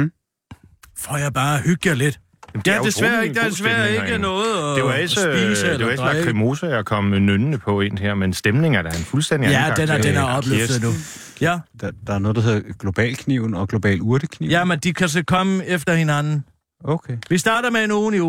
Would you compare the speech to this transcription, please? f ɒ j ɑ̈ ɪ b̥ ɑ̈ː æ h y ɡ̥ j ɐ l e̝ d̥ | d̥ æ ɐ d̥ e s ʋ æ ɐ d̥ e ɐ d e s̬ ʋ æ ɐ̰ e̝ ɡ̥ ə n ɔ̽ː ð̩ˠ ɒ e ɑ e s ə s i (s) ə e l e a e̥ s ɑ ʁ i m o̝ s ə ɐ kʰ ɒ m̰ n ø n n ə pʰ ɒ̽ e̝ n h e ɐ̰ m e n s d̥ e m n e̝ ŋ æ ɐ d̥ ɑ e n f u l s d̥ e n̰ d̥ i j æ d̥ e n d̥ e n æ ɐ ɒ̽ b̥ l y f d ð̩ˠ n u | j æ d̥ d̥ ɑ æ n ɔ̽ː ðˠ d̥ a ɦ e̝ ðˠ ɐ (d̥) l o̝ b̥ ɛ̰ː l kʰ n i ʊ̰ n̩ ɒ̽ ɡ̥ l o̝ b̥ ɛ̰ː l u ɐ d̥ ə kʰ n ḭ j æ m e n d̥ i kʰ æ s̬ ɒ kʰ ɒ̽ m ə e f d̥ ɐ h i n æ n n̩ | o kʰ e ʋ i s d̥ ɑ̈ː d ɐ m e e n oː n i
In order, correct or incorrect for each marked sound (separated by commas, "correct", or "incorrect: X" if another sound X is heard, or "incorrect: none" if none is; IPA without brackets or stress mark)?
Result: correct, incorrect: ɡ̥